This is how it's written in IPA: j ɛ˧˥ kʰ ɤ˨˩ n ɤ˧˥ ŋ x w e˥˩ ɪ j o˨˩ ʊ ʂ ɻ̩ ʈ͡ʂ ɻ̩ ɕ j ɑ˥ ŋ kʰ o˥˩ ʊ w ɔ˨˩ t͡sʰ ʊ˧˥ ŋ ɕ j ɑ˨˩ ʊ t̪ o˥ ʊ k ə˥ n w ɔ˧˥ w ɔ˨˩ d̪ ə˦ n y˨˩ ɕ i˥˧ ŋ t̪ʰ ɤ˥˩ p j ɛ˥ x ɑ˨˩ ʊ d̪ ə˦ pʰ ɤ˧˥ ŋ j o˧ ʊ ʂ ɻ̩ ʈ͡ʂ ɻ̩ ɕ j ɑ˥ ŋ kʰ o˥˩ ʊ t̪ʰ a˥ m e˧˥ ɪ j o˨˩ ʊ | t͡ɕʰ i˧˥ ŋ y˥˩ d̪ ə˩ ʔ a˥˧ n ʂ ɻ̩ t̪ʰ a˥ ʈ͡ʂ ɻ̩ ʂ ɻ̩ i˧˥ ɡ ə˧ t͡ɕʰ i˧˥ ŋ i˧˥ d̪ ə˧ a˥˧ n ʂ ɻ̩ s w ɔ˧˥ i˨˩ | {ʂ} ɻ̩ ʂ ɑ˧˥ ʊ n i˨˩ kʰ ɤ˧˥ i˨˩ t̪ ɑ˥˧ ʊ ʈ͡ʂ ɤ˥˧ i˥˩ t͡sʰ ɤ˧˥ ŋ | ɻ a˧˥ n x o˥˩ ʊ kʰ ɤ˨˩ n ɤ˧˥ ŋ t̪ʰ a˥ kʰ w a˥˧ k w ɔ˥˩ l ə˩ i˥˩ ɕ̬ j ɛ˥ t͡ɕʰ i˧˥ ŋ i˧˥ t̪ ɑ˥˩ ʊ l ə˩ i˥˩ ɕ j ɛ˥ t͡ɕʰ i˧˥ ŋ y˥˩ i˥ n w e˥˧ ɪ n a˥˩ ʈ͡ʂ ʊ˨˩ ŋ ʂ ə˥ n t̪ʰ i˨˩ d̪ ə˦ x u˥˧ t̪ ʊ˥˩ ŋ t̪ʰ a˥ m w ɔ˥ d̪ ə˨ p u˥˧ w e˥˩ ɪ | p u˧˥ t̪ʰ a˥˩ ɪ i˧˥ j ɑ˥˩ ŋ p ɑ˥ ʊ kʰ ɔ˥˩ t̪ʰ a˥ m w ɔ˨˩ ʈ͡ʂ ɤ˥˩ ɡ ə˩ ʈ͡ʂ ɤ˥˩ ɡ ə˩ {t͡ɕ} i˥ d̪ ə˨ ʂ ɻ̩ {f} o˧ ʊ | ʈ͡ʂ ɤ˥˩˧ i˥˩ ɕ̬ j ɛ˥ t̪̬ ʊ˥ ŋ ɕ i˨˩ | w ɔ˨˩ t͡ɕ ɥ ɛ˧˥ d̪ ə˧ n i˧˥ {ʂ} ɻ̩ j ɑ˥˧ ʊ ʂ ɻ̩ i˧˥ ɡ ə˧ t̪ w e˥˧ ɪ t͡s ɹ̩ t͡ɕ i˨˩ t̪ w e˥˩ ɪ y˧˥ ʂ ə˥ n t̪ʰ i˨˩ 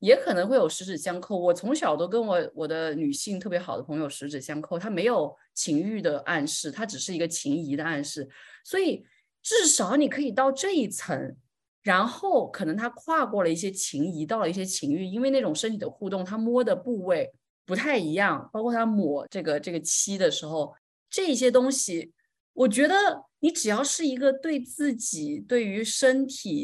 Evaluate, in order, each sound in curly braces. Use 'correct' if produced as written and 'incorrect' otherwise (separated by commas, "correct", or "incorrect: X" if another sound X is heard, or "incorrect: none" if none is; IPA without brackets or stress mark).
incorrect: ʈ͡ʂ, incorrect: t͡ɕʰ, incorrect: x, incorrect: ʈ͡ʂ